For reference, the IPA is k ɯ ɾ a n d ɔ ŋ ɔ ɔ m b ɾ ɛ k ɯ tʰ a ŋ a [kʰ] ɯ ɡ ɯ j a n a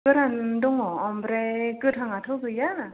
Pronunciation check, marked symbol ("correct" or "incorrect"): incorrect